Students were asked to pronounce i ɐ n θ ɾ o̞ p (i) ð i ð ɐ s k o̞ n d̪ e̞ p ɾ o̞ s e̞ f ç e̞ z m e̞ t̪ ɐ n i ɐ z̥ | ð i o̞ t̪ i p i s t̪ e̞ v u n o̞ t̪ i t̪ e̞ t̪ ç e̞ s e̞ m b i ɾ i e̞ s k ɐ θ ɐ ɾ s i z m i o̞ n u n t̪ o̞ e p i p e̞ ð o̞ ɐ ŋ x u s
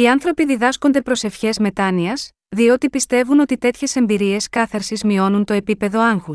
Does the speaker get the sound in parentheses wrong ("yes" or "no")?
no